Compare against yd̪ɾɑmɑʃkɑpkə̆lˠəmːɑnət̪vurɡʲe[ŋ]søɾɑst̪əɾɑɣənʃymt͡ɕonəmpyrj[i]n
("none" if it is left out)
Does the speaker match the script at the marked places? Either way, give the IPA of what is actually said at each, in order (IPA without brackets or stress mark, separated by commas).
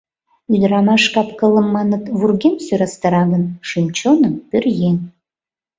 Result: m, e